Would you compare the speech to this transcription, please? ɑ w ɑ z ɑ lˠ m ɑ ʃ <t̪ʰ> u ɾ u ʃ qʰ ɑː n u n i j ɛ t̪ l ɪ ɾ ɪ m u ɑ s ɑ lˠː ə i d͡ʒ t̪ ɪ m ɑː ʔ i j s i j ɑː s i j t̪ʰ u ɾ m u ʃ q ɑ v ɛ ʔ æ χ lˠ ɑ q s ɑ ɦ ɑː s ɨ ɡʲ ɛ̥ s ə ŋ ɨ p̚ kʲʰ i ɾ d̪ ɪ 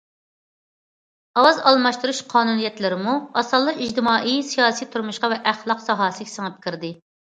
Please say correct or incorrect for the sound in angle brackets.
incorrect